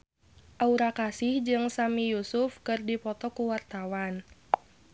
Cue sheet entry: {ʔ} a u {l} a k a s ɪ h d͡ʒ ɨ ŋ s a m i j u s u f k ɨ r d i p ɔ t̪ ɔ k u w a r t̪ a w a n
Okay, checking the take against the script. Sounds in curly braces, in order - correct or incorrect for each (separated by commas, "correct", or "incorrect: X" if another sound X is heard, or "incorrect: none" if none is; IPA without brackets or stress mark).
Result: correct, incorrect: ɾ